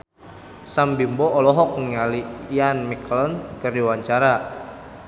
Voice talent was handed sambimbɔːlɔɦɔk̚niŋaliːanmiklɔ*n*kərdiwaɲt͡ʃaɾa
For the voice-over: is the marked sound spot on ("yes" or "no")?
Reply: yes